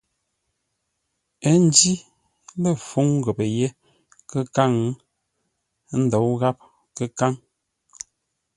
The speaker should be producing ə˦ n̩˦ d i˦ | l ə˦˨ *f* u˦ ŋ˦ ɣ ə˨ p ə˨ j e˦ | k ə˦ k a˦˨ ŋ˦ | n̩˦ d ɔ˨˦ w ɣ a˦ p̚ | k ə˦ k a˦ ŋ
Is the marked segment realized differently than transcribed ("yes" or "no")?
no